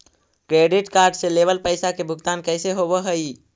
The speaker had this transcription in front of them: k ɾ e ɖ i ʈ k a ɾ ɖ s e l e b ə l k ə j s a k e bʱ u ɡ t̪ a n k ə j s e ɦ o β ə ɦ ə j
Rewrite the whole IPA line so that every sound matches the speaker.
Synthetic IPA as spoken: k ɾ e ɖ i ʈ k a ɾ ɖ s e l e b ə l p ə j s a k e bʱ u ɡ t̪ a n k ə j s e ɦ o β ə ɦ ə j